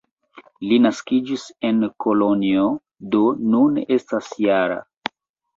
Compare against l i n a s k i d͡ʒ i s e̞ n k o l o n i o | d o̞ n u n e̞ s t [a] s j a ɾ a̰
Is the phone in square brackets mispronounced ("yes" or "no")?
no